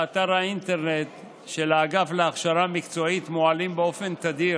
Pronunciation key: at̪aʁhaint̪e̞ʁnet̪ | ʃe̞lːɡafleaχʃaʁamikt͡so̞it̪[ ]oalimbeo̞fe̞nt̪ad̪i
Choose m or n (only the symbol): m